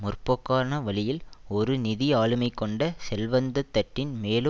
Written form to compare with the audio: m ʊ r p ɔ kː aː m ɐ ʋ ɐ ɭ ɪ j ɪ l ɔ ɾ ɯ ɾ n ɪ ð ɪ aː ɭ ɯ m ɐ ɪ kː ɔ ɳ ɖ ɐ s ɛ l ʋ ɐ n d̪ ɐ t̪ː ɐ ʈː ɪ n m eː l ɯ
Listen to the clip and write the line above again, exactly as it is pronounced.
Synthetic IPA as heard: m ʊ r p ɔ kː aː n ɐ ʋ ɐ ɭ ɪ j ɪ l ɔ ɾ ɯ n ɪ ð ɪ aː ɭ ɯ m ɐ ɪ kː ɔ ɳ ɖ ɐ s ɛ l ʋ ɐ n d̪ ɐ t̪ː ɐ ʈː ɪ n m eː l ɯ